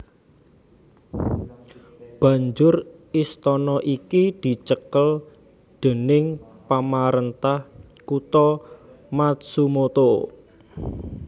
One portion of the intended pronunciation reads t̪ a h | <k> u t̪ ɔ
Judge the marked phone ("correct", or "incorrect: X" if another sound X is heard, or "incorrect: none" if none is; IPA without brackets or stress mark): correct